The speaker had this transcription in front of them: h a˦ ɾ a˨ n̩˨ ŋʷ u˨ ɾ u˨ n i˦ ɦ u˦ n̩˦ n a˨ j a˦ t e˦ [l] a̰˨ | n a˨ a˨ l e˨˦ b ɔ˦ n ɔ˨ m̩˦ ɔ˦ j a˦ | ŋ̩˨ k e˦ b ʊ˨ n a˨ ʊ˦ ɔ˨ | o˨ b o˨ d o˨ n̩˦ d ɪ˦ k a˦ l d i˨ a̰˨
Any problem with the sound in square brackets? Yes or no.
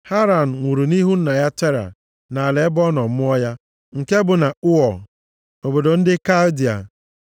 yes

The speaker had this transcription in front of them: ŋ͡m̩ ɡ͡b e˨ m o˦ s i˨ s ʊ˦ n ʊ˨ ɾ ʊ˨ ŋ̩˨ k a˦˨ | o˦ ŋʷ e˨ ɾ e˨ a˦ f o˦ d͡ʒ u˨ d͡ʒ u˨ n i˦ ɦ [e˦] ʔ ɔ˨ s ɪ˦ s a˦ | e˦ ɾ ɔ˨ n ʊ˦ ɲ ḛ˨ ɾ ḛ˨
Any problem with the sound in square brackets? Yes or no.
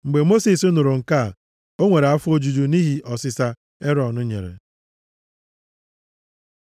yes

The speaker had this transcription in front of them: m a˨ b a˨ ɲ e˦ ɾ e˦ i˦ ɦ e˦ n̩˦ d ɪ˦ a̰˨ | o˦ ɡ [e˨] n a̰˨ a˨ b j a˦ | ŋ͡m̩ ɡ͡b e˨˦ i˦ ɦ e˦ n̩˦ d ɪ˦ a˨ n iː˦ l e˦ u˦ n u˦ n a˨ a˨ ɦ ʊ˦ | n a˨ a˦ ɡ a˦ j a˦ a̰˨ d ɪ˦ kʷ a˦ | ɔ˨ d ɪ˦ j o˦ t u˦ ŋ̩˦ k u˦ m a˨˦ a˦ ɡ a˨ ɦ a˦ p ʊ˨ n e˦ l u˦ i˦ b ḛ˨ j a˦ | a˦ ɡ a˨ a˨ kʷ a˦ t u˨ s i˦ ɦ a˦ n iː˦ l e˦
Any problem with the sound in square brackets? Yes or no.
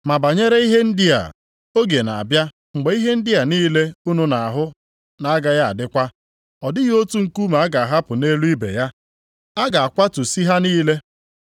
no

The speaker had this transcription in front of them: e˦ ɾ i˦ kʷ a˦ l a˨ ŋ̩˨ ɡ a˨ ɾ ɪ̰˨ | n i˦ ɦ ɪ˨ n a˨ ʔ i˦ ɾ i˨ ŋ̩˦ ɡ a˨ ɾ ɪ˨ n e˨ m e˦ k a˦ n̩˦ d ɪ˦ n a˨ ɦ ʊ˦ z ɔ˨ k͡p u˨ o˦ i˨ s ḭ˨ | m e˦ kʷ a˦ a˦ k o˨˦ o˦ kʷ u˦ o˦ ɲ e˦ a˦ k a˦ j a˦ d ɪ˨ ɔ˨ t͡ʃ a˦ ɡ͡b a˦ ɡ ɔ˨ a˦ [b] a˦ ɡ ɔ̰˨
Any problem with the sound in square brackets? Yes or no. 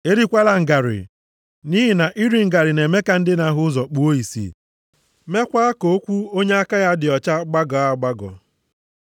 yes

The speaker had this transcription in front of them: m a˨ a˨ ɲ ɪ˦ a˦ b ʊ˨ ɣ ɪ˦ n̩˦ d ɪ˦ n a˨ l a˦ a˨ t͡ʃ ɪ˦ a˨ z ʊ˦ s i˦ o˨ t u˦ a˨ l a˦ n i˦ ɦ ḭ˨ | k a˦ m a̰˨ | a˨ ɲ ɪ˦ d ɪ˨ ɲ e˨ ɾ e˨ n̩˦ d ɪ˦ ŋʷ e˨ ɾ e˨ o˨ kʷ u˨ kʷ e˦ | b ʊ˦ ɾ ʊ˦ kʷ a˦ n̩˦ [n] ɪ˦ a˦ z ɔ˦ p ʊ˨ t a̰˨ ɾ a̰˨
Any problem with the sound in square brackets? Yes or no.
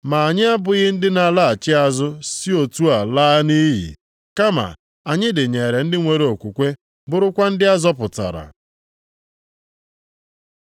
yes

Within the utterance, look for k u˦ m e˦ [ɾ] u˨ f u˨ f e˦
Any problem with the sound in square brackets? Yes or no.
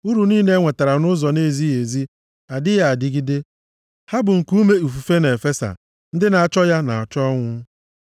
yes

